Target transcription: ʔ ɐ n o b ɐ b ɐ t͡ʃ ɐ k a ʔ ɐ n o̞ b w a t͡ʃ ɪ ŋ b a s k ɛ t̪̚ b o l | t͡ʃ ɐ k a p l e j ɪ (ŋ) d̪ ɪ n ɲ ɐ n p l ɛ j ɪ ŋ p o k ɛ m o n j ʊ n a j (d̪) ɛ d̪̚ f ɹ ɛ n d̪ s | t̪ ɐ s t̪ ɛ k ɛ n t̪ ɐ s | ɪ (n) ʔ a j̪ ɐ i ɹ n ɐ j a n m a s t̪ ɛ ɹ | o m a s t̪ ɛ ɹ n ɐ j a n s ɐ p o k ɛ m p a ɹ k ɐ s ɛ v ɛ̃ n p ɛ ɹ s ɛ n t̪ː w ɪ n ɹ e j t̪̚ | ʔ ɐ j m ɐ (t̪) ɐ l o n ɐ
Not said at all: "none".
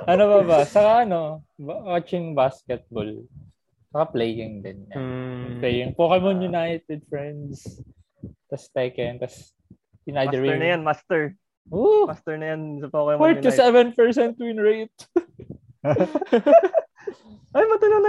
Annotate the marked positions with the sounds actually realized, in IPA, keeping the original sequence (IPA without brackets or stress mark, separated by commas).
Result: ŋ, t̪, n, t̪